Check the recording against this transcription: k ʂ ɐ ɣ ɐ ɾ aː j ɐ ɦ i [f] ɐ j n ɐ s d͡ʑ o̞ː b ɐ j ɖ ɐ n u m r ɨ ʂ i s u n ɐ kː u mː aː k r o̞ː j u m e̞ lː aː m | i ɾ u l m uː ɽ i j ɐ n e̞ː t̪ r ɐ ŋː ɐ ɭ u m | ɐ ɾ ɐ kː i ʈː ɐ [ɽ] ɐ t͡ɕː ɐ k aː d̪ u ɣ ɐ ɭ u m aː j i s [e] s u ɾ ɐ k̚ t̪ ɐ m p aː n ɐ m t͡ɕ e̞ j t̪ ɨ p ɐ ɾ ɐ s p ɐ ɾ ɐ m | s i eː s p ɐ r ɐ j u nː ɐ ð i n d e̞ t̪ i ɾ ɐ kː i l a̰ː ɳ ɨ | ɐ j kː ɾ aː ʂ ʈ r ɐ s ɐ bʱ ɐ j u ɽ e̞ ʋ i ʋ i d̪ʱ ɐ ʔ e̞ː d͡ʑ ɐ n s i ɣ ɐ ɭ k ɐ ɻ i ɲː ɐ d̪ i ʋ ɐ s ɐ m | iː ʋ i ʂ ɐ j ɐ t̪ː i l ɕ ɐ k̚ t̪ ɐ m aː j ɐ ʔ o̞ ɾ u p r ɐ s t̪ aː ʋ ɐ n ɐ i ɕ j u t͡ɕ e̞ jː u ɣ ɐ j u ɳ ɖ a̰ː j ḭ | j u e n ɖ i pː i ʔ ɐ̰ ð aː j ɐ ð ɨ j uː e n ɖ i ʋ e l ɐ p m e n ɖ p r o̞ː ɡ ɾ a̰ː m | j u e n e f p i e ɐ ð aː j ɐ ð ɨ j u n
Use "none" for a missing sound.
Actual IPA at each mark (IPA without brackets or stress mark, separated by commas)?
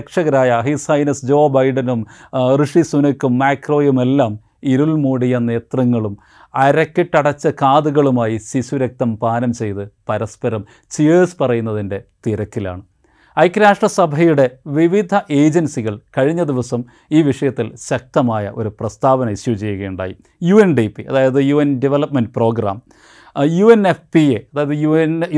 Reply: s, ɽ, i